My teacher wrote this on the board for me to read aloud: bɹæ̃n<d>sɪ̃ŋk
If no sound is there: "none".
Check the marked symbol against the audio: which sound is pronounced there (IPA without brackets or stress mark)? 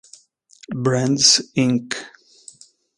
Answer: d